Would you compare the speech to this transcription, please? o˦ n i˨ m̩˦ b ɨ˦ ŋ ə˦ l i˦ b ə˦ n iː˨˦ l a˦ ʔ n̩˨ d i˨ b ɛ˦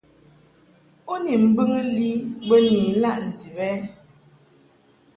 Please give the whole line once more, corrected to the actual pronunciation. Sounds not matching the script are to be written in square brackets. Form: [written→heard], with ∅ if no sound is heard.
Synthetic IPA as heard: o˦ n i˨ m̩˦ b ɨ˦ ŋ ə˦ l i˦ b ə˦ n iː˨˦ l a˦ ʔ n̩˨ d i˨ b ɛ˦